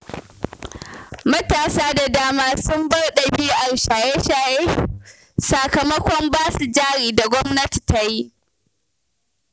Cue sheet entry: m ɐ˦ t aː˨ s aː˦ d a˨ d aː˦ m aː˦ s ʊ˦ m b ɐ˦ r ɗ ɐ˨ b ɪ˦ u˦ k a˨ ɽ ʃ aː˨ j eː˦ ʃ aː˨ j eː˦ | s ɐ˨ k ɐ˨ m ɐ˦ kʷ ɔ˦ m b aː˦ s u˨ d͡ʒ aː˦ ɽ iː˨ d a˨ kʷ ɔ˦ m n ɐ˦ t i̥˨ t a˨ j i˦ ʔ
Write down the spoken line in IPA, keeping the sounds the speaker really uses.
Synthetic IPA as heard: m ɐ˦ t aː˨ s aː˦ d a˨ d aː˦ m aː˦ s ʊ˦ m b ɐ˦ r ɗ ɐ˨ b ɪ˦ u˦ ʔ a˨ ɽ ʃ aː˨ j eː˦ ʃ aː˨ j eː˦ | s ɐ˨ k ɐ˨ m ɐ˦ kʷ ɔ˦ m b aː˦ s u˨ d͡ʒ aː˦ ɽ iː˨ d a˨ ɡʷ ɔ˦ m n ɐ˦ t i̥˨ t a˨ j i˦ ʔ